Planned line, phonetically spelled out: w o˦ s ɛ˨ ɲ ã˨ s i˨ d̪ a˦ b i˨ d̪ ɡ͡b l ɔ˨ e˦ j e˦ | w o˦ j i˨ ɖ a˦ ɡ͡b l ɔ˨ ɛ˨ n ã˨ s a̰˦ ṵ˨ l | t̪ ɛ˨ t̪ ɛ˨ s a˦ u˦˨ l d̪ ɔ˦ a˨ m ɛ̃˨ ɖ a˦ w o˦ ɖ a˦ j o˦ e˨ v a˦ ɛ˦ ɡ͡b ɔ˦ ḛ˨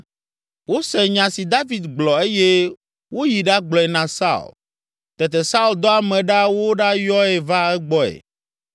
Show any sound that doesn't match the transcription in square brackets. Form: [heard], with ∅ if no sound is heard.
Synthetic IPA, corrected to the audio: w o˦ s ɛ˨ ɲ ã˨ s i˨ d̪ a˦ [v] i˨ d̪ ɡ͡b l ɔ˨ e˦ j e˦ | w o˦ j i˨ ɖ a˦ ɡ͡b l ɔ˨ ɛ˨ n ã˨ s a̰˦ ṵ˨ l | t̪ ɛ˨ t̪ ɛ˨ s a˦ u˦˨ l d̪ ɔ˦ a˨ m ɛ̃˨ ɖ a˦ w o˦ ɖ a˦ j [ɔ˦] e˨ v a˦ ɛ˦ ɡ͡b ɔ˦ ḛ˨